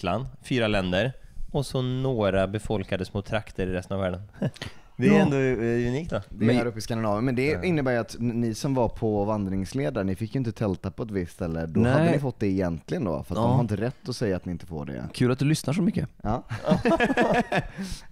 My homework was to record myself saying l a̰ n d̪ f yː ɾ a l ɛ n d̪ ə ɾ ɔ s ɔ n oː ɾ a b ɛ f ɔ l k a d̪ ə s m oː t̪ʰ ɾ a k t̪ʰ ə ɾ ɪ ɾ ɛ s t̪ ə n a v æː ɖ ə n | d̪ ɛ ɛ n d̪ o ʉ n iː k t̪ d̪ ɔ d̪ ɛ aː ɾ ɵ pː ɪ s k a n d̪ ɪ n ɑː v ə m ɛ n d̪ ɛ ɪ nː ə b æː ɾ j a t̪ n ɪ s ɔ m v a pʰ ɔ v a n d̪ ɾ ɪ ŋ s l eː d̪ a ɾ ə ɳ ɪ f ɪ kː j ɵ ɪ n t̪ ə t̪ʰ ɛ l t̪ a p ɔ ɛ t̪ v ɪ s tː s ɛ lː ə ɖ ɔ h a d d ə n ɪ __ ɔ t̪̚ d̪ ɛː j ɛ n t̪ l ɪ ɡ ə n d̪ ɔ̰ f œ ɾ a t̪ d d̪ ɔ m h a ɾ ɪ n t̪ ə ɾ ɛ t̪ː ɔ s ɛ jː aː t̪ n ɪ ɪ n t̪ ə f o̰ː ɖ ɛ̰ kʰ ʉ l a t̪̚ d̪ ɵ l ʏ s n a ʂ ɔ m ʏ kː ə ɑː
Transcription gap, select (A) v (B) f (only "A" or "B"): B